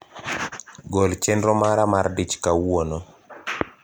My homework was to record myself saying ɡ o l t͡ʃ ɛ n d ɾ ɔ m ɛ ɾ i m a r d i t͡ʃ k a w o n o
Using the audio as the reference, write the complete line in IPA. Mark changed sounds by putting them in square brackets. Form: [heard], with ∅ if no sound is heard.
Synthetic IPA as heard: ɡ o l t͡ʃ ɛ n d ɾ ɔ m [a] ɾ [a] m a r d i t͡ʃ k a w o n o